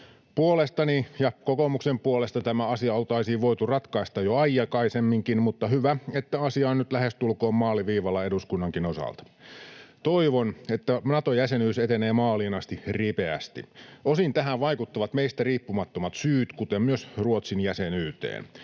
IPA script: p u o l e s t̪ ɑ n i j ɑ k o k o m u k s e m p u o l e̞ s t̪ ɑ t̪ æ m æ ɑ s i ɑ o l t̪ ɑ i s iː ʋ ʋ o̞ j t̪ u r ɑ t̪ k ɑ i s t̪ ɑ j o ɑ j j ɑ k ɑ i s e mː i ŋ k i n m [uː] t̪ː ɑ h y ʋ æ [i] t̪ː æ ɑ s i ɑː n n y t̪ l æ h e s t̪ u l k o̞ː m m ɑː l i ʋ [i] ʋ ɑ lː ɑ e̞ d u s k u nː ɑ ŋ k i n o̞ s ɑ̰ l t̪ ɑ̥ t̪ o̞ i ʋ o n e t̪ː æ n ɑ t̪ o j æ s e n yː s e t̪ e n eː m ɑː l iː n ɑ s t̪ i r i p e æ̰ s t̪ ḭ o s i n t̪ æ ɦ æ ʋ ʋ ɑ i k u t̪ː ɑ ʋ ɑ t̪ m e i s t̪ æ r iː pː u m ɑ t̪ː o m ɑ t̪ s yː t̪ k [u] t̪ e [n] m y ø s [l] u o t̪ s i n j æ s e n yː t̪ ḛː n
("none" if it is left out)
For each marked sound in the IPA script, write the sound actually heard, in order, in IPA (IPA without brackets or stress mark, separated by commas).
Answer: u, e, iː, u, m, r